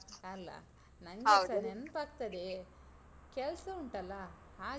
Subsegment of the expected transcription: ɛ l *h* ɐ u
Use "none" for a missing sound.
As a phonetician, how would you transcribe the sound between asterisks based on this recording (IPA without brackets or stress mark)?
s